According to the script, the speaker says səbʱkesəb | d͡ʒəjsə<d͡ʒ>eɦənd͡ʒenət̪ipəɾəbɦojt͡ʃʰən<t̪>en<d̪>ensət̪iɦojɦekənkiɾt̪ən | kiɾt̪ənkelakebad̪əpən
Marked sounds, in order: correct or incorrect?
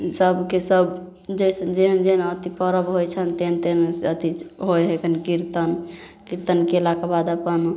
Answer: correct, correct, incorrect

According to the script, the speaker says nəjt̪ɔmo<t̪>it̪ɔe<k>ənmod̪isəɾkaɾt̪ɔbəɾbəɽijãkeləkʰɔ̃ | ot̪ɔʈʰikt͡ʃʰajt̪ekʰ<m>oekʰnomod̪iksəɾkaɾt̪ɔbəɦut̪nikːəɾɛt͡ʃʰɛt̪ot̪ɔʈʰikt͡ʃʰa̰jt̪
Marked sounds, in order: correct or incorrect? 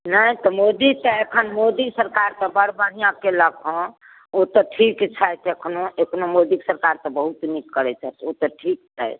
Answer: incorrect, incorrect, incorrect

